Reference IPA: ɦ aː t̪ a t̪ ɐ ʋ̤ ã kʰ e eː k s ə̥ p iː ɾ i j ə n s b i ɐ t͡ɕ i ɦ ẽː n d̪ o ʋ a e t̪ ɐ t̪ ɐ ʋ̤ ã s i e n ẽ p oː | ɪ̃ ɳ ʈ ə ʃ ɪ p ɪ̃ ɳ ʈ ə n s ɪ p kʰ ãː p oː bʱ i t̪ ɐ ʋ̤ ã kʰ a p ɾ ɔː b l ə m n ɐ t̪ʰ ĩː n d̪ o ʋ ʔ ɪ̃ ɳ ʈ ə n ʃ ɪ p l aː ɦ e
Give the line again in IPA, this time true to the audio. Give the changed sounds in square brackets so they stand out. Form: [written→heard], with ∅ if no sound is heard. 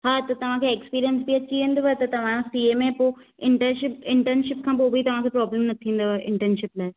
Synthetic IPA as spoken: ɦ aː t̪ [a→ɐ] t̪ ɐ ʋ̤ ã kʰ e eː k s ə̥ p iː ɾ i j ə n s b i ɐ t͡ɕ i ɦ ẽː n d̪ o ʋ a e t̪ ɐ t̪ ɐ ʋ̤ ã s i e [n→m] ẽ p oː | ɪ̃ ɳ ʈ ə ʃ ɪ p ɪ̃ ɳ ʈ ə n [s→ʃ] ɪ p kʰ ãː p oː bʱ i t̪ ɐ ʋ̤ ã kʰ [a→e] p ɾ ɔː b l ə m n ɐ t̪ʰ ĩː n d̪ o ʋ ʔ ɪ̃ ɳ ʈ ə n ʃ ɪ p l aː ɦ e